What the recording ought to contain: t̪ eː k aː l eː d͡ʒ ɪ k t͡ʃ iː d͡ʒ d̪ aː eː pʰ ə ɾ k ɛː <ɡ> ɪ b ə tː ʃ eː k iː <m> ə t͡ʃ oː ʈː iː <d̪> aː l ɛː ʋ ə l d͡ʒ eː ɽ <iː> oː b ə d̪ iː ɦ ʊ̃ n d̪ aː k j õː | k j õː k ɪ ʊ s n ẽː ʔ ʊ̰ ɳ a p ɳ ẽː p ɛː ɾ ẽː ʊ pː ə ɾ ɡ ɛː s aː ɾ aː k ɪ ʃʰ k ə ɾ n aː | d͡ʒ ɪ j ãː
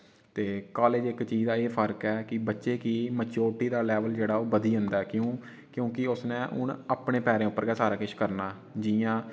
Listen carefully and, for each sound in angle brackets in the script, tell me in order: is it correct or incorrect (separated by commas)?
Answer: incorrect, correct, correct, incorrect